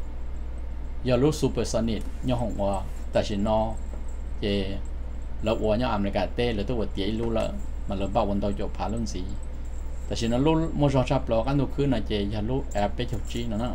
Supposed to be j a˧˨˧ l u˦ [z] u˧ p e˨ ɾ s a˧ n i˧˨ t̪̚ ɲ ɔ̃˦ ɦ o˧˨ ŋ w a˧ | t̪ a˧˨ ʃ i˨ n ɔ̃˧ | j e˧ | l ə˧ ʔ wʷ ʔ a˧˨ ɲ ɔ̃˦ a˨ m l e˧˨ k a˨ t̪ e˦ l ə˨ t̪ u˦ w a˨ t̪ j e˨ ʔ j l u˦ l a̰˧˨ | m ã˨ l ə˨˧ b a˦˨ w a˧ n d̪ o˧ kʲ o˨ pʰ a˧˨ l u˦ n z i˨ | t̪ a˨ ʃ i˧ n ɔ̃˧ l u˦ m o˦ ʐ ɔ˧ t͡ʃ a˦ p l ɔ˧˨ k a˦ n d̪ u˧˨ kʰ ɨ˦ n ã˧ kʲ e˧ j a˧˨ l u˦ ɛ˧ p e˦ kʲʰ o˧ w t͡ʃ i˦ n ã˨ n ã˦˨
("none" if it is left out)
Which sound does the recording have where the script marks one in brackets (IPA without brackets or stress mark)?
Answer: s